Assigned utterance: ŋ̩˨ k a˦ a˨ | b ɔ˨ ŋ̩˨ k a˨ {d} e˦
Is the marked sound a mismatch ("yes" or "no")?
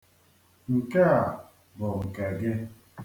yes